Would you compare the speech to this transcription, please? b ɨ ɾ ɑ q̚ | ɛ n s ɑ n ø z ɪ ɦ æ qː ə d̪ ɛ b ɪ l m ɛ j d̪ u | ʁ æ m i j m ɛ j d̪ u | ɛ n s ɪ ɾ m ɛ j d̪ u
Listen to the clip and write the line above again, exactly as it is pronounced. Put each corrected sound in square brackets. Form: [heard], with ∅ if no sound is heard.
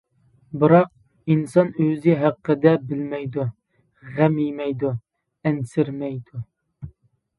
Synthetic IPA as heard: b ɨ ɾ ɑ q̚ | [i] n s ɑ n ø z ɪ ɦ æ qː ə d̪ ɛ b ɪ l m ɛ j d̪ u | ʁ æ m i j m ɛ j d̪ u | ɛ n s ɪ ɾ m ɛ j d̪ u